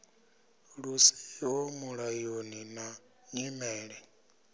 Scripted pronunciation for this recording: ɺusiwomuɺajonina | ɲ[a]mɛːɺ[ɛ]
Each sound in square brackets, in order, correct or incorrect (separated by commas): incorrect, correct